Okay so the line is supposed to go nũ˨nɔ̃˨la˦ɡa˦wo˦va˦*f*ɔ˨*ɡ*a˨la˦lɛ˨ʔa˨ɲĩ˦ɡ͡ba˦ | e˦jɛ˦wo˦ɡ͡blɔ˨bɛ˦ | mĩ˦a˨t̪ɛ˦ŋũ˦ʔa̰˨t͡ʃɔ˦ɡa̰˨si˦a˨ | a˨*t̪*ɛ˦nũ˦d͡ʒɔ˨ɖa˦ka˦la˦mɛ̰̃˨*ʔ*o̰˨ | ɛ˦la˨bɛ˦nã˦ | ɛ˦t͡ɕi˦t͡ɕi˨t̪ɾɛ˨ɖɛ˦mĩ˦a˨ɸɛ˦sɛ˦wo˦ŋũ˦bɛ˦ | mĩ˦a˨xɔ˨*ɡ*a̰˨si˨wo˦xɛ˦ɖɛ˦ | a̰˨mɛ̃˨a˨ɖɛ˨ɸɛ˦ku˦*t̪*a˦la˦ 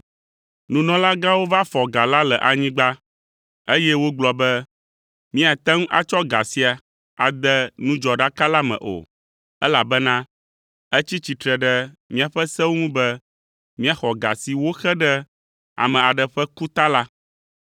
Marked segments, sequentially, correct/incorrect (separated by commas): correct, correct, incorrect, correct, correct, correct